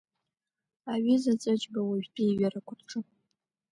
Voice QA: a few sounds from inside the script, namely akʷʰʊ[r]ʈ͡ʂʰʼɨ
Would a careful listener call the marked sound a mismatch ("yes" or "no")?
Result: no